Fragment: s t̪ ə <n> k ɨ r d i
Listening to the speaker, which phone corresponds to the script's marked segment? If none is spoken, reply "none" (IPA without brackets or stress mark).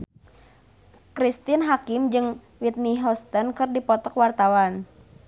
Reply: n